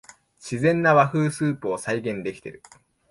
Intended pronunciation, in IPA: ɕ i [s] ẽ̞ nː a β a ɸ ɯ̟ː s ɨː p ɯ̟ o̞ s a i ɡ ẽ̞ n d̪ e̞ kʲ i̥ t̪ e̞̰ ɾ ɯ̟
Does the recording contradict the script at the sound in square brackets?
yes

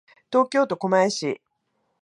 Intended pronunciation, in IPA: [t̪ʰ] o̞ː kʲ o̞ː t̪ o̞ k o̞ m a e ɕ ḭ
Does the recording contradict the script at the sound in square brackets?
yes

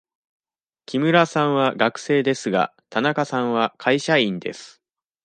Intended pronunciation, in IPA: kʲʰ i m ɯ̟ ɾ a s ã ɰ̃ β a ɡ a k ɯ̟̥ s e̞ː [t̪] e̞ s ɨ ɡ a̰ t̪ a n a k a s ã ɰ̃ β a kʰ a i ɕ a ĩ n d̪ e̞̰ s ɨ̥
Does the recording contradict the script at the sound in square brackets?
yes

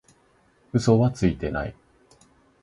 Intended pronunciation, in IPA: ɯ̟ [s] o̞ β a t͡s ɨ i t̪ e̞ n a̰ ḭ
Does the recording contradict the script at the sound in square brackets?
no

